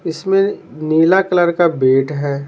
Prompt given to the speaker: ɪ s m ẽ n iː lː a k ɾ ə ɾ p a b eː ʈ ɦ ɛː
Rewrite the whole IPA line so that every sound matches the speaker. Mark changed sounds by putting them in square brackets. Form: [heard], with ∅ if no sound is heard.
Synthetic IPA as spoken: ɪ s m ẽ n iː [l] a k [l] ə ɾ [k] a b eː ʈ ɦ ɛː